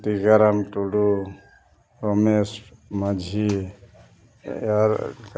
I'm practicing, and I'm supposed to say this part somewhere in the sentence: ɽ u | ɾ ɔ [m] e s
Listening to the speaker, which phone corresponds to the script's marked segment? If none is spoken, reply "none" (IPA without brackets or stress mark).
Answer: m